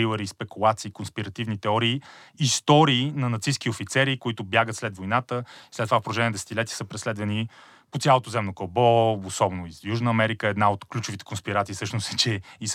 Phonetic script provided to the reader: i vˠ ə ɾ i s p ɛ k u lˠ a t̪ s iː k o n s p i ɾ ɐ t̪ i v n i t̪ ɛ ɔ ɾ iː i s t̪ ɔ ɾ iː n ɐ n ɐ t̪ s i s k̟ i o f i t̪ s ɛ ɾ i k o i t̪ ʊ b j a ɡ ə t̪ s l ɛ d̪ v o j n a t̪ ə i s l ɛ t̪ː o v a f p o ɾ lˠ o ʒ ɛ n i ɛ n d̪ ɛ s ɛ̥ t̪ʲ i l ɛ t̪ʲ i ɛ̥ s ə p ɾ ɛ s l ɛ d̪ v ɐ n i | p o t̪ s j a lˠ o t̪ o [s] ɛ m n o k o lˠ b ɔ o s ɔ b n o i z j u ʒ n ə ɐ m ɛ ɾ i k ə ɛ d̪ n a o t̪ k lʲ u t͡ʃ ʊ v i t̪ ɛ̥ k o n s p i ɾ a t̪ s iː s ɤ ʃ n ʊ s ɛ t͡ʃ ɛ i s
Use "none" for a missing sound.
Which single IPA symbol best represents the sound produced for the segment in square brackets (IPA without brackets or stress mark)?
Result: z